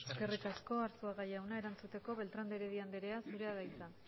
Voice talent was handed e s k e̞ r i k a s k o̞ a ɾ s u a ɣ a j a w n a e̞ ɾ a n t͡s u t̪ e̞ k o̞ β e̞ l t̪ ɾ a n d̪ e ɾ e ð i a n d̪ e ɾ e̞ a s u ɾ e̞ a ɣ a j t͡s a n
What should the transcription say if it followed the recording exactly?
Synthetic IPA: e s k e̞ r i k a s k o̞ a ɾ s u a ɣ a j a w n a e̞ ɾ a n t͡s u t̪ e̞ k o̞ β e̞ l t̪ ɾ a n d̪ e ɾ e ð i a n d̪ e ɾ e̞ a s u ɾ e̞ a ð a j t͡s a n